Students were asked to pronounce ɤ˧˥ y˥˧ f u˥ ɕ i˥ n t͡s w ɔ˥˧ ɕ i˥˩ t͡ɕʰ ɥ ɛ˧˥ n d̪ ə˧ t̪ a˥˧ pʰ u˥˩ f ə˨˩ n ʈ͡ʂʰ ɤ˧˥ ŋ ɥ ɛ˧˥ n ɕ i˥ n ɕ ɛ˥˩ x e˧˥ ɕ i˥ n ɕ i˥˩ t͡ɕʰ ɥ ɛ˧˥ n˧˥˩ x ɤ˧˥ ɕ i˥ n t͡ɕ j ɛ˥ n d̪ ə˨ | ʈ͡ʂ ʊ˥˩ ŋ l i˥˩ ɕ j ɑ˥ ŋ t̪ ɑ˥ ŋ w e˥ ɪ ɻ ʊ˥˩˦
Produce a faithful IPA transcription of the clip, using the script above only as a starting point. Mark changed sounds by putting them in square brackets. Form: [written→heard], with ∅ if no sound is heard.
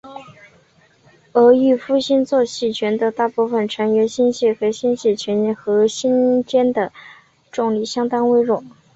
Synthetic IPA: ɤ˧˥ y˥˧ f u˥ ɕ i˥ n t͡s w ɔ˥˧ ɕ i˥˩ t͡ɕʰ ɥ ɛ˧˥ n d̪ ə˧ t̪ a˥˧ [pʰ→p] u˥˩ f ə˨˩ n ʈ͡ʂʰ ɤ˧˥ ŋ ɥ ɛ˧˥ n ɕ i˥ n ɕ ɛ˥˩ x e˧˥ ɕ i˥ n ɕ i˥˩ t͡ɕʰ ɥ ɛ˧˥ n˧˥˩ x ɤ˧˥ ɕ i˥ n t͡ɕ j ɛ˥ n d̪ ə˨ | ʈ͡ʂ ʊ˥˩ ŋ l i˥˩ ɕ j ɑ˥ ŋ t̪ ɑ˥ ŋ w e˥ ɪ ɻ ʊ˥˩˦